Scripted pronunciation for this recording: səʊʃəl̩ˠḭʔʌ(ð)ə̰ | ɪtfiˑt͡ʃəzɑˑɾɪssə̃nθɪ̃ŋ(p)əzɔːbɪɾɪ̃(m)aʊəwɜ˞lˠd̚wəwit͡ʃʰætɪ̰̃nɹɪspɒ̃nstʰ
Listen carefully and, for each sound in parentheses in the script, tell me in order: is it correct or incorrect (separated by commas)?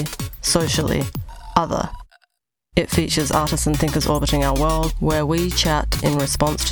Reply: correct, incorrect, incorrect